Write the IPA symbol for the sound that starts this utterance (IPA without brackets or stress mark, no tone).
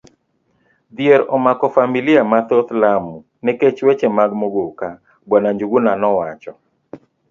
d̪